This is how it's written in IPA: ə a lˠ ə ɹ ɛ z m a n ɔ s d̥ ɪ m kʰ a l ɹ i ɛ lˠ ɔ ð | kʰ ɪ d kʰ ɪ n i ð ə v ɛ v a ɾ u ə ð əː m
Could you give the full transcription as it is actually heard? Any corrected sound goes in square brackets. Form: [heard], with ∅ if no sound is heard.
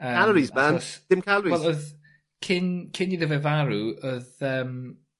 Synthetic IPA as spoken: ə a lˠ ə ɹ [i] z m a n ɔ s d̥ ɪ m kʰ a l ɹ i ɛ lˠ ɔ ð | kʰ ɪ [n] kʰ ɪ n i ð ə v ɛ v a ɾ u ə ð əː m